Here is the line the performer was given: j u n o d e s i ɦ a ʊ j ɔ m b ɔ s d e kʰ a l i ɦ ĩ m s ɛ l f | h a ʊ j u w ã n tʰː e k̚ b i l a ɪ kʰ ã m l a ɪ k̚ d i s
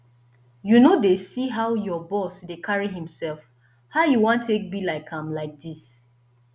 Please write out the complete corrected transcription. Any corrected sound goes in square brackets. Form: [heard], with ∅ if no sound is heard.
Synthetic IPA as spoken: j u n o d e s i ɦ a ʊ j ɔ [∅] b ɔ s d e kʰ a [ɹ] i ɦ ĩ m s ɛ l f | h a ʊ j u w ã n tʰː e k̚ b i l a ɪ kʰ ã m l a ɪ k̚ d i s